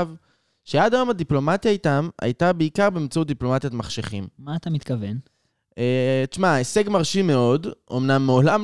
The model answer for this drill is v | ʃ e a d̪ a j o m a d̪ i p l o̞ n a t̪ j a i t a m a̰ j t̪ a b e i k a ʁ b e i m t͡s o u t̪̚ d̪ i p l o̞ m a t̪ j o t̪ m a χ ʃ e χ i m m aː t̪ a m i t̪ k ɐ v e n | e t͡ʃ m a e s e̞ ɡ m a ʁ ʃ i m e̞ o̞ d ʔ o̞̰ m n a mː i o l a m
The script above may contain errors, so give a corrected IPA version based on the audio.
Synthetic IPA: v | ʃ e a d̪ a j o m a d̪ i p l o̞ m a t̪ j a i t a m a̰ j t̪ a b e i k a ʁ b e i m t͡s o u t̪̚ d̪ i p l o̞ m a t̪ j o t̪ m a χ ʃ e χ i m m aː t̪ a m i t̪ k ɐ v e n | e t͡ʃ m a e s e̞ ɡ m a ʁ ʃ i m e̞ o̞ d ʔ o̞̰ m n a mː e o l a m